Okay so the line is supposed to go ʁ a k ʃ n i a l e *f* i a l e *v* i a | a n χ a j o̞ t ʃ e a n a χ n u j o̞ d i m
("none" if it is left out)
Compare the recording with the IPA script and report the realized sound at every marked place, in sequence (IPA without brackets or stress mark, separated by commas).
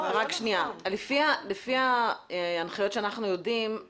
f, f